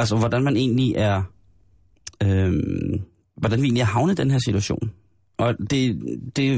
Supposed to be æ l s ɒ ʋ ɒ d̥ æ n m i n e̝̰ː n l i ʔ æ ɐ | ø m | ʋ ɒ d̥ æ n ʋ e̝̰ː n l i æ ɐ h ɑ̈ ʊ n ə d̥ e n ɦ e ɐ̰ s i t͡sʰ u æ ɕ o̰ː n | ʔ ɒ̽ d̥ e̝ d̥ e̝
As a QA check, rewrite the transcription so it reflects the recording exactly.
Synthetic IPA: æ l s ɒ ʋ ɒ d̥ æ n m æ n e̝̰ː n l i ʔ æ ɐ | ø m | ʋ ɒ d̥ æ n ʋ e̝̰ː n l i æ ɐ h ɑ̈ ʊ n ə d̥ e n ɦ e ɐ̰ s i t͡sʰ u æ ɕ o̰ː n | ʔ ɒ̽ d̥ e̝ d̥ e̝